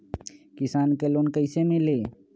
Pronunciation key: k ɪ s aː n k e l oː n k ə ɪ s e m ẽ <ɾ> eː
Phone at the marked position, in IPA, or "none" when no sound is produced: l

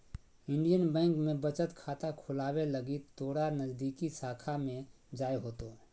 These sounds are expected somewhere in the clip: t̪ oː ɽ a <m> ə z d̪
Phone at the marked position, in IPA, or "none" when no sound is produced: n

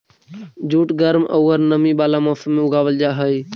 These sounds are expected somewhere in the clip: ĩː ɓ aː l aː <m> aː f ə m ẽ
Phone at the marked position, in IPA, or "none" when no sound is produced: m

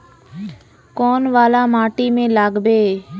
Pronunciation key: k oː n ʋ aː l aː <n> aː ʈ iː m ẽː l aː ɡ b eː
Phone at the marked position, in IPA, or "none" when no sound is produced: m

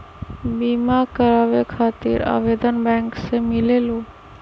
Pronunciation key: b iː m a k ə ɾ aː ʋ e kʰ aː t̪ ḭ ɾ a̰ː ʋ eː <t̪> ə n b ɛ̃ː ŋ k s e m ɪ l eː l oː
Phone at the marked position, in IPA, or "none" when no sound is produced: d̪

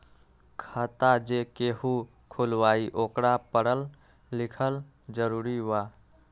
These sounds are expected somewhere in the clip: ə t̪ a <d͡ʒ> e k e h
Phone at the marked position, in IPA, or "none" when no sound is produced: d͡ʒ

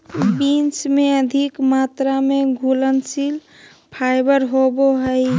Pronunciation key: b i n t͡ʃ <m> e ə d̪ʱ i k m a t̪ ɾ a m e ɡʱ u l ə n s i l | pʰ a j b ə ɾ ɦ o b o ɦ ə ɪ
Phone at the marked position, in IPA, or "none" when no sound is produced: m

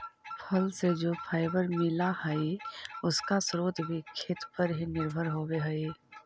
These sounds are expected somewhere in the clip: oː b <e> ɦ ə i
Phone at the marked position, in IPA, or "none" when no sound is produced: e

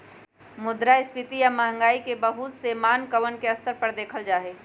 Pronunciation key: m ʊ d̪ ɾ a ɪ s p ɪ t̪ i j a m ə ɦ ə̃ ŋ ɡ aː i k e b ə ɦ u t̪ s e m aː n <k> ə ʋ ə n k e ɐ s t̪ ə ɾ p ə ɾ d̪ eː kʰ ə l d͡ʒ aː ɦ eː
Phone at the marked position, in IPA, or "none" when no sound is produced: k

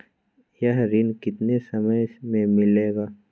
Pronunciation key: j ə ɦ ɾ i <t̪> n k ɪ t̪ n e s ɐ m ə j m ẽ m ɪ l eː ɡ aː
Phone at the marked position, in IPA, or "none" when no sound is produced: none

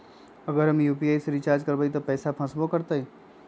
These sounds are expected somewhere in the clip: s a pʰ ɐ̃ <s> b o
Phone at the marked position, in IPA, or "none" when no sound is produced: s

